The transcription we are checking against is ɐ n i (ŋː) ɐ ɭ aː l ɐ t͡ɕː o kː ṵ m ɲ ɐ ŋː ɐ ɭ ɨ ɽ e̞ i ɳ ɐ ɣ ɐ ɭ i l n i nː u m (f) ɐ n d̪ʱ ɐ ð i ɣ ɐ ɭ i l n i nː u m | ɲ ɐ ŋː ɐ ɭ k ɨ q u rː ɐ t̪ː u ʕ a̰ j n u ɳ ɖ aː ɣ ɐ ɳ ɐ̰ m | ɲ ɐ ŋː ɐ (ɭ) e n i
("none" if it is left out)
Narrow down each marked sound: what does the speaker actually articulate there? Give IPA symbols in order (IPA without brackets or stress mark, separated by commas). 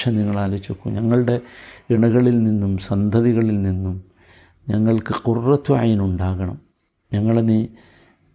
ŋː, s, ɭ